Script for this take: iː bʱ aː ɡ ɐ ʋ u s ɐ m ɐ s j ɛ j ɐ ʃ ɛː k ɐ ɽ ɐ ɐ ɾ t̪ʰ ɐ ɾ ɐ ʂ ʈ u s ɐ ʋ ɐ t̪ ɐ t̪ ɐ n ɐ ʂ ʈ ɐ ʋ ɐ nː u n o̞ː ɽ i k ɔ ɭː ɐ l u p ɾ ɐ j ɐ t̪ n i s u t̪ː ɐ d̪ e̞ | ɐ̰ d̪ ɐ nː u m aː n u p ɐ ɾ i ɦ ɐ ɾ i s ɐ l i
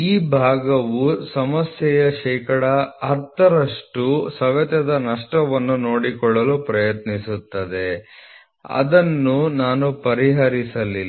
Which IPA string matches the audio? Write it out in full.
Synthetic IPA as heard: iː bʱ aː ɡ ɐ ʋ u s ɐ m ɐ s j ɛ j ɐ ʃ ɛː k ɐ ɽ ɐ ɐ ɾ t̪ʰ ɐ ɾ ɐ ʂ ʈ u s ɐ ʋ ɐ t̪ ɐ d̪ ɐ n ɐ ʂ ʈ ɐ ʋ ɐ nː u n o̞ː ɽ i k ɔ ɭː ɐ l u p ɾ ɐ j ɐ t̪ n i s u t̪ː ɐ d̪ e̞ | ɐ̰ d̪ ɐ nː u n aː n u p ɐ ɾ i ɦ ɐ ɾ i s ɐ l i